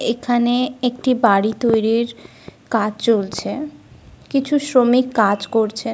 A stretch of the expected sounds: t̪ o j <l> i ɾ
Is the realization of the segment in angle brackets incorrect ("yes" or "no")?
yes